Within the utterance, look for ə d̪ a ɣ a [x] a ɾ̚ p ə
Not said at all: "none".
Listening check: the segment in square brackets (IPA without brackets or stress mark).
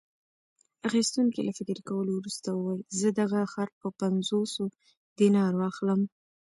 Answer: x